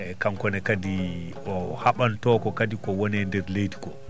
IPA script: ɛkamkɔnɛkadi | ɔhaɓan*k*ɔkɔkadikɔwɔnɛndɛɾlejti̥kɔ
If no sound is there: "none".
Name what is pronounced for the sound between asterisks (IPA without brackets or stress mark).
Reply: t